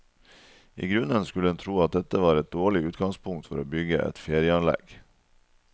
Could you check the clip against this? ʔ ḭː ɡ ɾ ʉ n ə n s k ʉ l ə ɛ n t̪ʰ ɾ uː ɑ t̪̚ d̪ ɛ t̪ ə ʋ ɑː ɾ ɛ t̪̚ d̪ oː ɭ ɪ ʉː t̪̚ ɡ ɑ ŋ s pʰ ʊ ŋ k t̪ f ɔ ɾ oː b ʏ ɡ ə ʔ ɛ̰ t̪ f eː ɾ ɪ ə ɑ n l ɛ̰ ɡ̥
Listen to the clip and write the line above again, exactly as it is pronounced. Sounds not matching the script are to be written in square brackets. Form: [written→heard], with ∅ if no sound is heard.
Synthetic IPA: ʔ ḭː ɡ ɾ ʉ n ə n s k ʉ l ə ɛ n t̪ʰ ɾ uː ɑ t̪̚ d̪ ɛ t̪ ə ʋ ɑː ɾ ɛ t̪̚ d̪ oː ɭ ɪ ʉː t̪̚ ɡ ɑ ŋ s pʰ ʊ ŋ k t̪ f ɔ ɾ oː b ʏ ɡ ə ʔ ɛ̰ t̪ f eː ɾ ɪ ə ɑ n l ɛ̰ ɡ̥

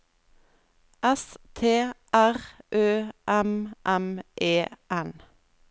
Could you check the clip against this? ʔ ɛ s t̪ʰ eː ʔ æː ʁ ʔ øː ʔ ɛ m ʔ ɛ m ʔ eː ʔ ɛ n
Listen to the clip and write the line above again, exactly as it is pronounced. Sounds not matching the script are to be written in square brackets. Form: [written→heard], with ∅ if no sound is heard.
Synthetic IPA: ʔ ɛ s t̪ʰ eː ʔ [æː→æ] ʁ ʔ øː ʔ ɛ m ʔ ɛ m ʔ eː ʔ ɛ n

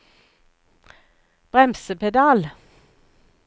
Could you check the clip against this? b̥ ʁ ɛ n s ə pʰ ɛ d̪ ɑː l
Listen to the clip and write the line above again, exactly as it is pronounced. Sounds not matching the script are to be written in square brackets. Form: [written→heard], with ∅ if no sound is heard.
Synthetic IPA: b̥ ʁ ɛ [n→m] s ə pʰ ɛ d̪ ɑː l

